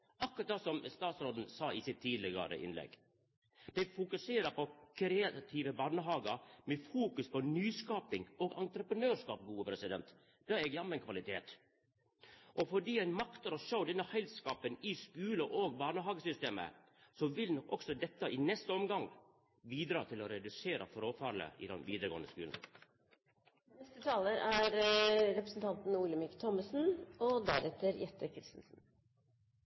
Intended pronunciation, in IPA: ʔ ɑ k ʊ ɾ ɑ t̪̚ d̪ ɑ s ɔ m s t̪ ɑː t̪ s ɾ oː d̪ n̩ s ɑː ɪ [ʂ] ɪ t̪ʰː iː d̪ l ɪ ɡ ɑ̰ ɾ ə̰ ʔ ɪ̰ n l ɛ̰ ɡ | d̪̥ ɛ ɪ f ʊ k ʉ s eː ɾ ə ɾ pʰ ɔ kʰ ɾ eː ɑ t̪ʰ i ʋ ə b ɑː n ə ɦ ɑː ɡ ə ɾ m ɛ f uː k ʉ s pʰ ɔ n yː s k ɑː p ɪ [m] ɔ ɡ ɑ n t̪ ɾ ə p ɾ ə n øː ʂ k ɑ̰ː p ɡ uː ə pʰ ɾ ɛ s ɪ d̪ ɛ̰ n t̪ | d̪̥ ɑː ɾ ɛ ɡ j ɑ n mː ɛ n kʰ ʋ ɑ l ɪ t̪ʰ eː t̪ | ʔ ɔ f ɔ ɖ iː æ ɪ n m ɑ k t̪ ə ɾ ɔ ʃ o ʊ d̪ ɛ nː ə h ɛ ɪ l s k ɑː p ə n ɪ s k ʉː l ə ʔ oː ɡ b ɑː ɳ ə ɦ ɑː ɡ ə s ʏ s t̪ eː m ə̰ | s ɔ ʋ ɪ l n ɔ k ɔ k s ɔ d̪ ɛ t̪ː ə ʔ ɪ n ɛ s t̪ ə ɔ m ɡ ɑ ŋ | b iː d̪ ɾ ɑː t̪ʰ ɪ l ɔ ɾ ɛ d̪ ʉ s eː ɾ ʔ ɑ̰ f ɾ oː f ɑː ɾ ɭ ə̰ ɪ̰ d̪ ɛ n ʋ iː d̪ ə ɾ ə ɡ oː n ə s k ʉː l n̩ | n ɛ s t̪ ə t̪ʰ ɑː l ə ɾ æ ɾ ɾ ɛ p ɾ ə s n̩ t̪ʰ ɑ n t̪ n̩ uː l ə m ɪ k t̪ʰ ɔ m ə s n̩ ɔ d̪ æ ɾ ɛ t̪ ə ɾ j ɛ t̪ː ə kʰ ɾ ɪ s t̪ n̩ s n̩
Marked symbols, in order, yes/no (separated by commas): no, no